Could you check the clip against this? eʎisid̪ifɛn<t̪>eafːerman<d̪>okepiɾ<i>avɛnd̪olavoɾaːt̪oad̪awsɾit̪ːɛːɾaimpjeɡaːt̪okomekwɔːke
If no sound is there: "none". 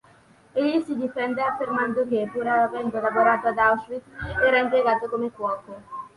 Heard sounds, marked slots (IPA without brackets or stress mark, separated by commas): d̪, d̪, a